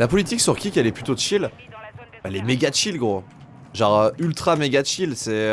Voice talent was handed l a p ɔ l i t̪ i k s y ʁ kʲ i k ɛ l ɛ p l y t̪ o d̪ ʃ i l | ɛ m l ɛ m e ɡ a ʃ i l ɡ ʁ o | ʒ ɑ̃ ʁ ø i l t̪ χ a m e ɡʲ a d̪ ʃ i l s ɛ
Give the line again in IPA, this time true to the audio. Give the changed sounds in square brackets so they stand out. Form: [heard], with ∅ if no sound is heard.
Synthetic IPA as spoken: l a p ɔ l i t̪ i k s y ʁ kʲ i k ɛ l ɛ p l y t̪ o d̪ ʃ i l | ɛ [∅] l ɛ m e ɡ a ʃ i l ɡ ʁ o | ʒ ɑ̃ ʁ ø [y] l t̪ χ a m e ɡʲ a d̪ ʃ i l s ɛ